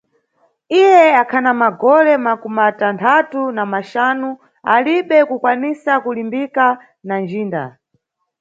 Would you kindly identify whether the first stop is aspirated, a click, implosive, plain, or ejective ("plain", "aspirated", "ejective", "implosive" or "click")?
aspirated